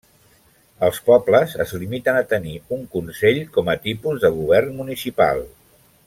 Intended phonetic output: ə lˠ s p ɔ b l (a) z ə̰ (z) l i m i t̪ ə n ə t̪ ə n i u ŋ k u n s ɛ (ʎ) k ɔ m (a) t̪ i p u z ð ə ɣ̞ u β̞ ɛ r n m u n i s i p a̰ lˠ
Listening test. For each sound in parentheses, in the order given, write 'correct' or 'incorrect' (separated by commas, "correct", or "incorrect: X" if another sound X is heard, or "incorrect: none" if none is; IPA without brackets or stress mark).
incorrect: ə, correct, correct, incorrect: ə